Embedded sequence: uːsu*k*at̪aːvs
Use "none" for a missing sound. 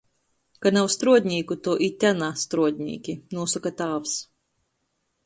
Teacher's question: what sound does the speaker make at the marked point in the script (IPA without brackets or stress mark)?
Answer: k